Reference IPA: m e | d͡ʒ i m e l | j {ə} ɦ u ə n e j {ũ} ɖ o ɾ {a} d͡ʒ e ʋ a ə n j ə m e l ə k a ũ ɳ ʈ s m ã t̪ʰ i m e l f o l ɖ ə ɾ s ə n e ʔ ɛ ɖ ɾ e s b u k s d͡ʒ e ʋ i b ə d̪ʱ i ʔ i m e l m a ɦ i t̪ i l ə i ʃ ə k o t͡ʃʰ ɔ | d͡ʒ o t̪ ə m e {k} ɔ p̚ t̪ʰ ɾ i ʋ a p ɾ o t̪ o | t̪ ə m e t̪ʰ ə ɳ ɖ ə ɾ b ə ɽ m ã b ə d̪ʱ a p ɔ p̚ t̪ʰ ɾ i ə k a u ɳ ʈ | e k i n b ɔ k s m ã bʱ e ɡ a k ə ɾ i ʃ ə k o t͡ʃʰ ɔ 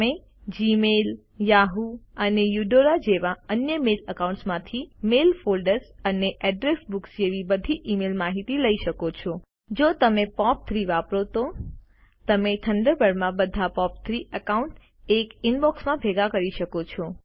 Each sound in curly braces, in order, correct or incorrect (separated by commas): incorrect, incorrect, correct, incorrect